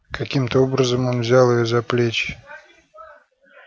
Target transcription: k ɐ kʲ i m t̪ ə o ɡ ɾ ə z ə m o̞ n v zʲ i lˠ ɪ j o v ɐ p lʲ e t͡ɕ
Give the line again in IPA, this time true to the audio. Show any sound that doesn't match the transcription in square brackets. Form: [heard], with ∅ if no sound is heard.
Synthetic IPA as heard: k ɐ kʲ i m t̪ ə o [b] ɾ ə z ə m o̞ n v zʲ [a] lˠ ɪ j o [z] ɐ p lʲ e t͡ɕ